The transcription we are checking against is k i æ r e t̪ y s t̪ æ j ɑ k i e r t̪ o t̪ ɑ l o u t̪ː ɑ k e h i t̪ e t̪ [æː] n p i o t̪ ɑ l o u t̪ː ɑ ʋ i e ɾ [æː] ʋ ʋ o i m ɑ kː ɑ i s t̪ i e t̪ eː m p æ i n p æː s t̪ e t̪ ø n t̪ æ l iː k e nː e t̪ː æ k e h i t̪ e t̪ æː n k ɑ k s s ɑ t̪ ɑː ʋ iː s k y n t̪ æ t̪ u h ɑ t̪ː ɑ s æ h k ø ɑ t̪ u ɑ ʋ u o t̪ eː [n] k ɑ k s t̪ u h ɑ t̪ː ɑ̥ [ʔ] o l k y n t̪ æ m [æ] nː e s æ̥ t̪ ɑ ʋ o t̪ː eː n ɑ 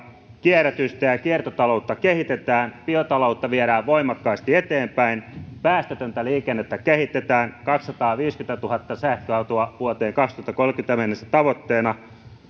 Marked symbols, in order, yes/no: yes, yes, no, no, no

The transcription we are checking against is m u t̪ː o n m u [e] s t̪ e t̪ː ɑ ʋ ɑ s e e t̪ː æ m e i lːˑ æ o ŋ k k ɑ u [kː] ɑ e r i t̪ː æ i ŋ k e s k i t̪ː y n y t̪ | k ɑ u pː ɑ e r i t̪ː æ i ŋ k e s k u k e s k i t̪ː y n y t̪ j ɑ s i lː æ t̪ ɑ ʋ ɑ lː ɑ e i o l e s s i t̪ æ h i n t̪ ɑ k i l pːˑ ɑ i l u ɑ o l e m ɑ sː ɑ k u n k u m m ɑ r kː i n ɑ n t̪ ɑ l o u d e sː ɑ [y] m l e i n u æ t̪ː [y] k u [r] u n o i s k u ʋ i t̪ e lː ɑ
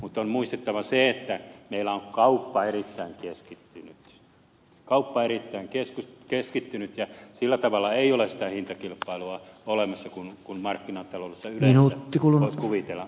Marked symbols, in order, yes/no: no, no, yes, no, no

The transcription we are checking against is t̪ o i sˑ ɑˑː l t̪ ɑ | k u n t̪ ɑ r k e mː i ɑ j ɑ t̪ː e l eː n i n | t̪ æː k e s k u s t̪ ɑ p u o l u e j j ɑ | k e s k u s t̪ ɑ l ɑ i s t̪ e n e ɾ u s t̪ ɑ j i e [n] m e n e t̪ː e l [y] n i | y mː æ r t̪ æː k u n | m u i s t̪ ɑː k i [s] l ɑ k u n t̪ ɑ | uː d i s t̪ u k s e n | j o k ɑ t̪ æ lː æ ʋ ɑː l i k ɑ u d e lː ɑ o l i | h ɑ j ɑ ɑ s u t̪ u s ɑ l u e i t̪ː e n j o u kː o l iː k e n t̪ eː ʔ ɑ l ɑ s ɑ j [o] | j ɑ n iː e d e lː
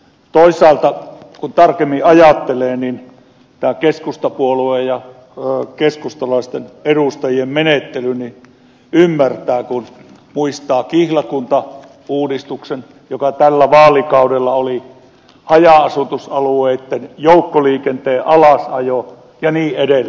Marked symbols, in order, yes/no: no, yes, no, yes

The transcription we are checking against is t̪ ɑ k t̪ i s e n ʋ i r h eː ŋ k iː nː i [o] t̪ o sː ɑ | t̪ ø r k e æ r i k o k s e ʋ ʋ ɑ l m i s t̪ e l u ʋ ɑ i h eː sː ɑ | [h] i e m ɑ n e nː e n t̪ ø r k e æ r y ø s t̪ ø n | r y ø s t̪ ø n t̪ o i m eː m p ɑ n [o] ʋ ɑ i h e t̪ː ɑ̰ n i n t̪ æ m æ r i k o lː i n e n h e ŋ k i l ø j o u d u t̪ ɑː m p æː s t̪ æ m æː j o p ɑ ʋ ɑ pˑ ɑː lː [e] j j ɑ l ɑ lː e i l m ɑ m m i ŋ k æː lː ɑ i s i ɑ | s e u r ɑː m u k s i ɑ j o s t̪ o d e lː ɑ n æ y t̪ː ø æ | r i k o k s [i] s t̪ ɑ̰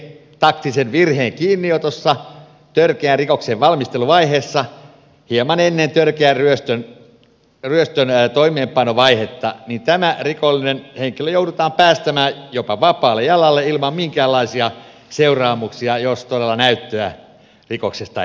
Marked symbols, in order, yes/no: yes, yes, yes, yes, no

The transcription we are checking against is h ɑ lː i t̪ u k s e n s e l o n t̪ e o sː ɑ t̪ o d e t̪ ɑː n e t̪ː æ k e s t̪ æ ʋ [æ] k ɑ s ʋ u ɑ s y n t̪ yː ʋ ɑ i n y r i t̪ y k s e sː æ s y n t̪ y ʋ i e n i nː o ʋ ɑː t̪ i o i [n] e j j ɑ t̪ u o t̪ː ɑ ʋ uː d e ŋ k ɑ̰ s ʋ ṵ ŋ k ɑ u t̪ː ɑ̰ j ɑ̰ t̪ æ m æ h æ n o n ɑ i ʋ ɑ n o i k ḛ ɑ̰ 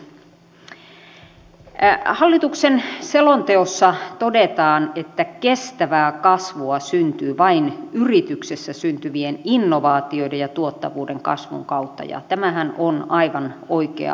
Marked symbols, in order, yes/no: no, no

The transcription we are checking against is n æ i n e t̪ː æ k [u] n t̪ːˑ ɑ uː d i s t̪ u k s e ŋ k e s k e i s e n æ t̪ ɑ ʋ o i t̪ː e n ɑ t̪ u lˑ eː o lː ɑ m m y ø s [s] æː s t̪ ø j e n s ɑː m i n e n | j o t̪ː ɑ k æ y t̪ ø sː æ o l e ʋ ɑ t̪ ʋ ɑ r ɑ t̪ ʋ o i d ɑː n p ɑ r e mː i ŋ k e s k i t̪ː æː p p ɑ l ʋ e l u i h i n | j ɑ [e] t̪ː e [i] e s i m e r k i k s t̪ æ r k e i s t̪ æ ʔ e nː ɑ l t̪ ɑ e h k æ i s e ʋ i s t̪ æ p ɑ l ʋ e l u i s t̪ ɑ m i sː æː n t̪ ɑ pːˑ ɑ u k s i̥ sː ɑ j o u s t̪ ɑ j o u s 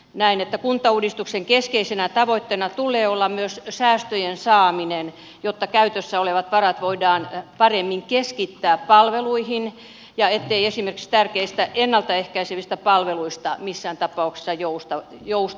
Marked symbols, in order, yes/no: yes, yes, yes, yes

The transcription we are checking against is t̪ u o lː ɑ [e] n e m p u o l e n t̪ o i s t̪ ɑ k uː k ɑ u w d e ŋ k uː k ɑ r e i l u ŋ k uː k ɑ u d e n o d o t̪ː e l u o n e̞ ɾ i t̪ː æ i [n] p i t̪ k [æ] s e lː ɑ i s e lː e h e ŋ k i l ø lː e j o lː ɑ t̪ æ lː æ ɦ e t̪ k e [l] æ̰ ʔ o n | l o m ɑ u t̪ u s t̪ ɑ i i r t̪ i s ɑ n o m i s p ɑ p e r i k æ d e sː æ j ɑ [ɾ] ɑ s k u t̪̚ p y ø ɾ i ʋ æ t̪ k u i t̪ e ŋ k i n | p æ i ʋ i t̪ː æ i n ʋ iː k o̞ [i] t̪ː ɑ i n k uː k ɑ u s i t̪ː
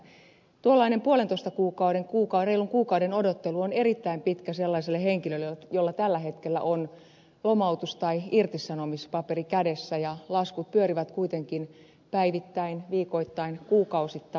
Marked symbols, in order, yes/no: no, no, yes, no, no, yes

